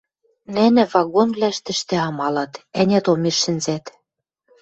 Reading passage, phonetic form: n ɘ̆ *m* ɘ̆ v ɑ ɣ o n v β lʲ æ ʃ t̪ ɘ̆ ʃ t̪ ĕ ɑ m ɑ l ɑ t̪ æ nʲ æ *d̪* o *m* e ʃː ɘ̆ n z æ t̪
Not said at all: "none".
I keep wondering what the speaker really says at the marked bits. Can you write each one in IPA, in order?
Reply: n, t̪, m

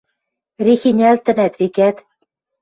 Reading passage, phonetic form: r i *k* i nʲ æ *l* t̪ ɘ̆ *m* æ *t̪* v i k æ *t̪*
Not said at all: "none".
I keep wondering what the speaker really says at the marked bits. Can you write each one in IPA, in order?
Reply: x, l, n, t̪, t̪

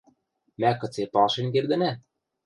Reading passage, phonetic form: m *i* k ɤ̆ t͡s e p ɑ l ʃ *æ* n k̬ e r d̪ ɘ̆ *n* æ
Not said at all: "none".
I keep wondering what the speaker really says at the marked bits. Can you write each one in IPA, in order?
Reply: æ, e, n

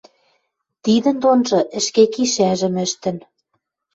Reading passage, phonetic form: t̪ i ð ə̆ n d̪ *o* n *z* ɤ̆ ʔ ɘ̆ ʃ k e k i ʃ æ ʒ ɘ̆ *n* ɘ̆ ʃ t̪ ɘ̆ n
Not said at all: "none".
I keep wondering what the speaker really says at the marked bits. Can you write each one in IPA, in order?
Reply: o, ʒ, m

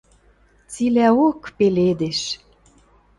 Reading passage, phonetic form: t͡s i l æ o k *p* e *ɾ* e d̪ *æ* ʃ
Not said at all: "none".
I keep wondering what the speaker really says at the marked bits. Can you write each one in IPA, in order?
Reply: p, l, e

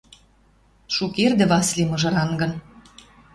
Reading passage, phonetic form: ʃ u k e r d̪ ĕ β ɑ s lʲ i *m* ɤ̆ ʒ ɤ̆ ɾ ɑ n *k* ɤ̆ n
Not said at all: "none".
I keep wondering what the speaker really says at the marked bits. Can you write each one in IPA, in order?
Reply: m, ɡ

